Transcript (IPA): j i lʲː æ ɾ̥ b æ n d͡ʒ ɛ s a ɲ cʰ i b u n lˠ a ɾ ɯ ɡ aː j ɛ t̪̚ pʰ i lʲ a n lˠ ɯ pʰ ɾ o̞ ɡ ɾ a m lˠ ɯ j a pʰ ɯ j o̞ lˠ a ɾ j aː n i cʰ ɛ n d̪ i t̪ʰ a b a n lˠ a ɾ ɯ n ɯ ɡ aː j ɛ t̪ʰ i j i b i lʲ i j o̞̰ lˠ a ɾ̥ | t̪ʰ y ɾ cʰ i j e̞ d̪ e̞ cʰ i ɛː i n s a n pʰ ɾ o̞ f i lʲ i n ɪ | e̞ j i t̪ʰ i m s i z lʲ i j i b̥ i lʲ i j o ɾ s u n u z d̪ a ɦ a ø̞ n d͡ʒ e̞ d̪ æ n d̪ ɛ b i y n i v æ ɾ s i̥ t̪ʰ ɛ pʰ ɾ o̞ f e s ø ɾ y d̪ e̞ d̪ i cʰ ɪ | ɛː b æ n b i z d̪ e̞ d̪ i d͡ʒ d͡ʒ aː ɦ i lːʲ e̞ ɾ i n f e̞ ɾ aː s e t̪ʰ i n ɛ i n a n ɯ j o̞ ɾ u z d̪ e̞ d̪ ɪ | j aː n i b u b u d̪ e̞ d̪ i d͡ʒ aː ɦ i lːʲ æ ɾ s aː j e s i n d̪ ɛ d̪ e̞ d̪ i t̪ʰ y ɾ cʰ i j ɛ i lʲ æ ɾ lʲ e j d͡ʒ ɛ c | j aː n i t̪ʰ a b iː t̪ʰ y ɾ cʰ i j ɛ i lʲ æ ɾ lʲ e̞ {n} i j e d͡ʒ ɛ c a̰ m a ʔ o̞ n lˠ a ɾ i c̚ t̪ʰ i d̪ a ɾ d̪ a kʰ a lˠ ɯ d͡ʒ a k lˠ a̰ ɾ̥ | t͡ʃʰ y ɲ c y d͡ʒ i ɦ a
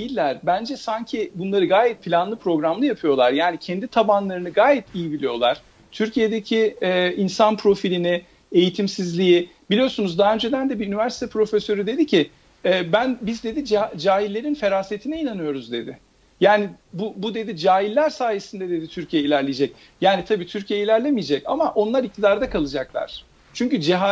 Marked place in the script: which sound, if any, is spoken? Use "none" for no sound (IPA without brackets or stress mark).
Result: m